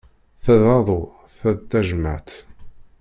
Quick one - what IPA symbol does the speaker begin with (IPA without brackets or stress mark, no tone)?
θ